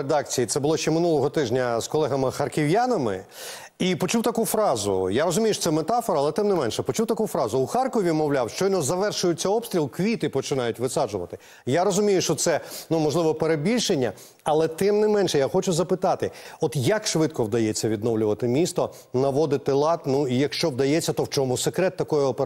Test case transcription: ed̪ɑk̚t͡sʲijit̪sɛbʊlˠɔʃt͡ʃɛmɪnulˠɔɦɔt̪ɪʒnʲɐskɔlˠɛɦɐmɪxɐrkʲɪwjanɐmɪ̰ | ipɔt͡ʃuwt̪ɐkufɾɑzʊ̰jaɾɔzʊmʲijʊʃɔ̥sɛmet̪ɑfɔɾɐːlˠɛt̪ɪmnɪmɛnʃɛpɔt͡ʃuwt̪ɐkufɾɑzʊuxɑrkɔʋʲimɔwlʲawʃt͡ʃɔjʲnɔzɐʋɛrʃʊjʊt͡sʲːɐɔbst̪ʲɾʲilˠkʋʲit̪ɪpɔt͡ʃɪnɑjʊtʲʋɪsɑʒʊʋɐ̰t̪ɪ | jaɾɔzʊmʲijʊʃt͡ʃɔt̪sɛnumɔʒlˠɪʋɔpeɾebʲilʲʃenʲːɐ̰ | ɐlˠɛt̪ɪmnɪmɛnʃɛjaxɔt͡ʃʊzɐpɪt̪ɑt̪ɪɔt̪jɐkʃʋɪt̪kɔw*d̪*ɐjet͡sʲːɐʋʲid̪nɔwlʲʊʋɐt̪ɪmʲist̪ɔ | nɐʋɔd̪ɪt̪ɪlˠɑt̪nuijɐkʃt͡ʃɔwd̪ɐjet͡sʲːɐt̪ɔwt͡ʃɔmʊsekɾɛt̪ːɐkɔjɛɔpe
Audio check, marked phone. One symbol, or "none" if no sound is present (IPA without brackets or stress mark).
d̪